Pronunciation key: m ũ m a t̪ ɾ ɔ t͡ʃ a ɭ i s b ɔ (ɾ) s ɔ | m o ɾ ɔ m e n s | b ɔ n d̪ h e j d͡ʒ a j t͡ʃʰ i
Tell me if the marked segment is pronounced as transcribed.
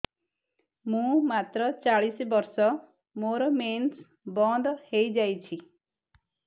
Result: yes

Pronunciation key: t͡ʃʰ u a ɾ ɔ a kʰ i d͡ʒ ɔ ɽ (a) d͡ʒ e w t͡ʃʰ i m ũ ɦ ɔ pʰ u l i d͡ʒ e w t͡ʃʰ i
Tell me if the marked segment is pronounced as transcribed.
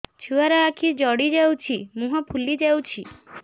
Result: no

